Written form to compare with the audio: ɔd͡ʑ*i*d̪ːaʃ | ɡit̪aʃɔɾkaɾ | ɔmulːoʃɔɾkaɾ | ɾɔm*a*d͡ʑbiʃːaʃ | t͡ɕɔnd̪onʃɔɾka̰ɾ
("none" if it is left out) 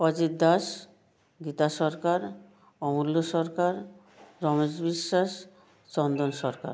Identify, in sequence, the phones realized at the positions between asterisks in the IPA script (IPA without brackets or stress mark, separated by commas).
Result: i, e